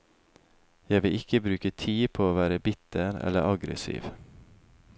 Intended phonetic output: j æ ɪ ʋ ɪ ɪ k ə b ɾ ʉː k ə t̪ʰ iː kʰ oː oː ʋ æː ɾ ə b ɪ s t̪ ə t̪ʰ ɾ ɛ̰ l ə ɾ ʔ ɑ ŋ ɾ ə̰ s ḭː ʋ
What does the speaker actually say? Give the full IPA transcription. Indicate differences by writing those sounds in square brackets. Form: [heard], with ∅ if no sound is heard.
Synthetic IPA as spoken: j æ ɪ ʋ ɪ ɪ k ə b ɾ ʉː k ə t̪ʰ iː [pʰ] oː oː ʋ æː ɾ ə b ɪ [∅] t̪ ə [∅] ɾ ɛ̰ l ə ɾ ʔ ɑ [ɡ] ɾ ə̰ s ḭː ʋ